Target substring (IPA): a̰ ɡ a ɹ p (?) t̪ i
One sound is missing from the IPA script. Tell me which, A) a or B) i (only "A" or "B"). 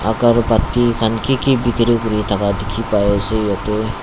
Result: A